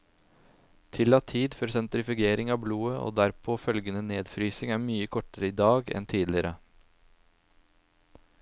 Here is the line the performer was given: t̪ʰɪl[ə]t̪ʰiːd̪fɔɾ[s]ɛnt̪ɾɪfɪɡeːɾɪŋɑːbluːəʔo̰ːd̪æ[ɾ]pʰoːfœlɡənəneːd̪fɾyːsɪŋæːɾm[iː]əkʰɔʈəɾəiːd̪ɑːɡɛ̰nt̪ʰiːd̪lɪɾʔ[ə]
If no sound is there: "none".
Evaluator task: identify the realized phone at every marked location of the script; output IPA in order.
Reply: ɑ, s, ɾ, yː, ə

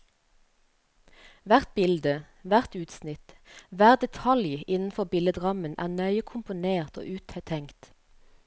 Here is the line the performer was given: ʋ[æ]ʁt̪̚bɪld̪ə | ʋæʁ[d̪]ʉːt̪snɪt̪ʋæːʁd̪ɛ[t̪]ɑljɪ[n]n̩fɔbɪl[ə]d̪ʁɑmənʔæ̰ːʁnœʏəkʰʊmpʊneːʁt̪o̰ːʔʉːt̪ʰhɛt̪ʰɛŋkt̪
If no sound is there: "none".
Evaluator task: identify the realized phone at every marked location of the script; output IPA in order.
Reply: æ, t̪, t̪ʰ, n, ə

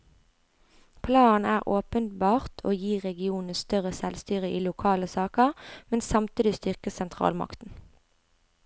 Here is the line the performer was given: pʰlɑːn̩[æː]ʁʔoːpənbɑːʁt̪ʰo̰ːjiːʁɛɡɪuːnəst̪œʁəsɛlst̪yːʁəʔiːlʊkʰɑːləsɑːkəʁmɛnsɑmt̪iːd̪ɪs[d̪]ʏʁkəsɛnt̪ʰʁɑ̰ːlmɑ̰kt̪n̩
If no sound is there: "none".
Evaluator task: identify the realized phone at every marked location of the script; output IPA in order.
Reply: æː, t̪

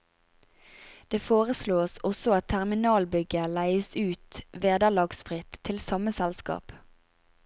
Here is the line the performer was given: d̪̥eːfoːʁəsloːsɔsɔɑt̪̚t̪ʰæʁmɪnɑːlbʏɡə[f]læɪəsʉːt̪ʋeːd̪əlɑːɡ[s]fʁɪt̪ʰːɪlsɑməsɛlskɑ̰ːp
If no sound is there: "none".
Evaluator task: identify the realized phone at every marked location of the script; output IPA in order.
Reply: none, s

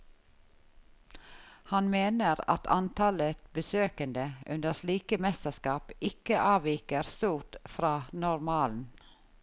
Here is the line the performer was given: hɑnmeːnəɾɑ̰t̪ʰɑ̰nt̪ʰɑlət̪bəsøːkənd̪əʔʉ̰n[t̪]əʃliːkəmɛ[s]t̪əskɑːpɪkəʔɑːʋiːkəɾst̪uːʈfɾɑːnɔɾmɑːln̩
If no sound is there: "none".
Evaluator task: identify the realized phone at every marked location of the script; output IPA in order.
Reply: d̪, s

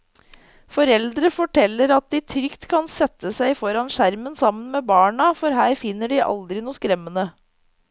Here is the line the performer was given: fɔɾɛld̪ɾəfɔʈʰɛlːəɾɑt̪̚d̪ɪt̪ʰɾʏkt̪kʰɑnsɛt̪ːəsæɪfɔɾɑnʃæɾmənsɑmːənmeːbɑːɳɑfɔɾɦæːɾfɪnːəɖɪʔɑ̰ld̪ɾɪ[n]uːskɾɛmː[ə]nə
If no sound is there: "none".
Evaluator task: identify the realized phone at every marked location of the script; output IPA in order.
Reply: n, ə

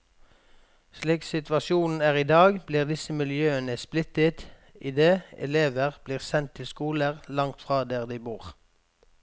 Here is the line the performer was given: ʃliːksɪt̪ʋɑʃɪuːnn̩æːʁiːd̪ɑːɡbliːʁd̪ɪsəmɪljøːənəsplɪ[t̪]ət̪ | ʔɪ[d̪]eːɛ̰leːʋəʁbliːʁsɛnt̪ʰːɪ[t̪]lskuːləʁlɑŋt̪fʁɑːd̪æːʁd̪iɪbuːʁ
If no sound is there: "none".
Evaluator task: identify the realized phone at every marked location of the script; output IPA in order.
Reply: t̪, d̪, none

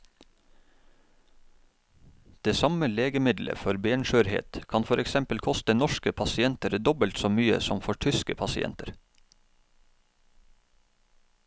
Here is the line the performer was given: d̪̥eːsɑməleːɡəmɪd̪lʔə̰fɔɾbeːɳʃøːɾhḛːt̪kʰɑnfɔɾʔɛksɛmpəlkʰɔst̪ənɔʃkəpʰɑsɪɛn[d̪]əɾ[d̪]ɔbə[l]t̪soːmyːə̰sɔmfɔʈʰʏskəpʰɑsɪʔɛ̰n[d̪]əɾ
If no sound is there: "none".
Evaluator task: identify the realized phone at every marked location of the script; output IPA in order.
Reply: t̪, d̪, l, t̪

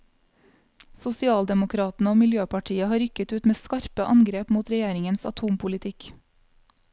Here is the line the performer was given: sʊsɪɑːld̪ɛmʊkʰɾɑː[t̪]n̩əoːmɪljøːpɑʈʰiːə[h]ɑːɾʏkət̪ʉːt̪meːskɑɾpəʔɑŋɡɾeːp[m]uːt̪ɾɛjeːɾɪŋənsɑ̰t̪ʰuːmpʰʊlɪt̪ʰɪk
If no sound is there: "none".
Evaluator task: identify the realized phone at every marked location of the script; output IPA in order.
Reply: t̪, h, m

